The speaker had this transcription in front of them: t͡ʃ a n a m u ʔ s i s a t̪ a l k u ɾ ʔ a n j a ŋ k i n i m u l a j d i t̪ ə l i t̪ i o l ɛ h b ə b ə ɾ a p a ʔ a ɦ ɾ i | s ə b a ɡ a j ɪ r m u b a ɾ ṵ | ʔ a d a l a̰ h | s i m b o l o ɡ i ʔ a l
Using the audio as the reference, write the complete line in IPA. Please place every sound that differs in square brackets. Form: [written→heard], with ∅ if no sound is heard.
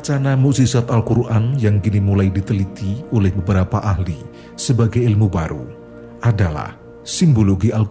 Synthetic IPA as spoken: t͡ʃ a n a m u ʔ s i s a t̪ a l k u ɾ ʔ a n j a ŋ k i n i m u l a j d i t̪ ə l i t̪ i o l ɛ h b ə b ə ɾ a p a ʔ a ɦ [ɾ→l] i | s ə b a ɡ a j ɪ [r→l] m u b a ɾ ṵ | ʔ a d a l a̰ h | s i m b o l o ɡ i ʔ a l